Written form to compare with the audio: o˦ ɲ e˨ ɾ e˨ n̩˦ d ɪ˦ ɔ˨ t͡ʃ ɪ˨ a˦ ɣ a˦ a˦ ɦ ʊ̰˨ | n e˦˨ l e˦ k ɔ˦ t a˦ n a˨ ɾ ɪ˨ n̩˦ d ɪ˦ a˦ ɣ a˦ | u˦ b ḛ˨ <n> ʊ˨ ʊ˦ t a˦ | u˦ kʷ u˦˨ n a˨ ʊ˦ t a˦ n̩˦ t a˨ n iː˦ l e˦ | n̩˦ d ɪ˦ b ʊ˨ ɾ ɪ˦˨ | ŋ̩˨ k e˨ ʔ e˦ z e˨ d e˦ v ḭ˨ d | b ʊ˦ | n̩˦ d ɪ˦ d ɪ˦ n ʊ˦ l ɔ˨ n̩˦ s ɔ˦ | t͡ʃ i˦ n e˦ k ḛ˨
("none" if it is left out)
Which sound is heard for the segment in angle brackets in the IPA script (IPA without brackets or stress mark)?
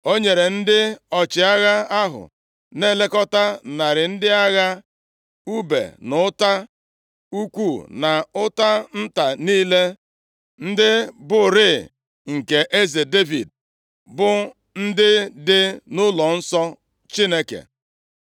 n